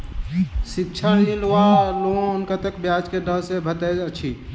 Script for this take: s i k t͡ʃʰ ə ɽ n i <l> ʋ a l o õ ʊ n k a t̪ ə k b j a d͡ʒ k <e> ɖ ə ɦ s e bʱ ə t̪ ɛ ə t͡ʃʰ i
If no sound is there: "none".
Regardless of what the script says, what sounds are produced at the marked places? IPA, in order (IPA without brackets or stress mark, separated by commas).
l, e